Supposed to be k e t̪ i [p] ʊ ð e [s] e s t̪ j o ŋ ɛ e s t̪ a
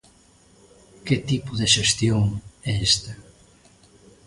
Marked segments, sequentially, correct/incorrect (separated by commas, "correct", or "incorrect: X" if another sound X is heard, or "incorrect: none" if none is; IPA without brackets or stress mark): correct, incorrect: ʃ